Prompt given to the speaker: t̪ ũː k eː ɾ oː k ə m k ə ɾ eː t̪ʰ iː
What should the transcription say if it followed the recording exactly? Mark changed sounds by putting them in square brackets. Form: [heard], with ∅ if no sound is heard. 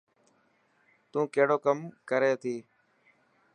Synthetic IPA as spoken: t̪ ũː k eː [ɽ] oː k ə m k ə ɾ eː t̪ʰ iː